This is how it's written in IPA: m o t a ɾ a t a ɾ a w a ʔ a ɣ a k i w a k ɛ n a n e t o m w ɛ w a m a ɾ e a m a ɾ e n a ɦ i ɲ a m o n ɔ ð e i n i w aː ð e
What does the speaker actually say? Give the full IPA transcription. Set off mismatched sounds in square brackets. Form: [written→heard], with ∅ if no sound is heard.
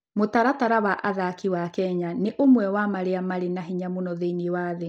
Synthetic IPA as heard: m o t a ɾ a t a ɾ a w a ʔ a [ɣ→ð] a k i w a k ɛ [n→ɲ] a n e [t→ʔ] o m w ɛ w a m a ɾ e a m a ɾ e n a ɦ i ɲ a m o n ɔ ð e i n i w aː ð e